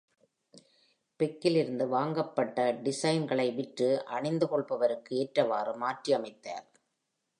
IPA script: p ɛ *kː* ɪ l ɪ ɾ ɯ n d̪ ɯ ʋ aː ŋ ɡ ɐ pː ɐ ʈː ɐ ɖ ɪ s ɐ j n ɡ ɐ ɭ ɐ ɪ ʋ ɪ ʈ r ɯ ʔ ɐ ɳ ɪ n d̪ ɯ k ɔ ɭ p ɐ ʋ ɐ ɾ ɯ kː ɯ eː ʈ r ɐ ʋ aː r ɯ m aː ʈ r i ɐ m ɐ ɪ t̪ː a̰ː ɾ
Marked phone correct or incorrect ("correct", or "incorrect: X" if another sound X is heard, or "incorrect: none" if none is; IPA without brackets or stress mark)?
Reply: correct